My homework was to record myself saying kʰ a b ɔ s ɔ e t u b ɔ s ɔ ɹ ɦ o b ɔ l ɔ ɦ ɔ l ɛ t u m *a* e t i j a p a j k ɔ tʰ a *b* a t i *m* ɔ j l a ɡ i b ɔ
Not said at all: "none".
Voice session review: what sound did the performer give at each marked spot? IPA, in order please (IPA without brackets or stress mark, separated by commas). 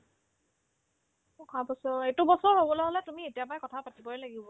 i, p, b